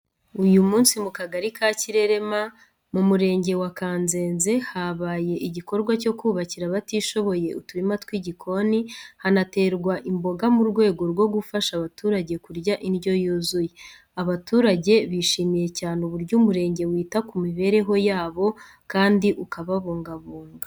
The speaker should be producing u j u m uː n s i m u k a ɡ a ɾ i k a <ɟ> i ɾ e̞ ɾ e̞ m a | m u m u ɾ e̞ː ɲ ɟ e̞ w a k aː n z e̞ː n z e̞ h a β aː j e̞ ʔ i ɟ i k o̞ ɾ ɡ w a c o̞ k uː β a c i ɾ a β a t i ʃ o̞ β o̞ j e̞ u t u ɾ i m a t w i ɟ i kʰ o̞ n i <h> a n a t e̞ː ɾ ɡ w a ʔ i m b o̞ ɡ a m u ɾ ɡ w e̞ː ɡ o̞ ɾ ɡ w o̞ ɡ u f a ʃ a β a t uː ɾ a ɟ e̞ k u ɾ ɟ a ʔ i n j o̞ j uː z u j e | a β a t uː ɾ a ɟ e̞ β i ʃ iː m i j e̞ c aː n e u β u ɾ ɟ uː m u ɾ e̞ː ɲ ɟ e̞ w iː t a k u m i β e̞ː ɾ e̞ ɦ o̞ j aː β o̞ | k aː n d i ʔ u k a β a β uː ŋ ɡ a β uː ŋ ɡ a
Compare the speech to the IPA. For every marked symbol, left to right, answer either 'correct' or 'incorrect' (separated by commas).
incorrect, correct